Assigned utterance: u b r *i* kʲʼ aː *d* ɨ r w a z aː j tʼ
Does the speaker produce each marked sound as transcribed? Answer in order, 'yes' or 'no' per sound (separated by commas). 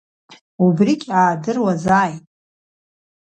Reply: yes, yes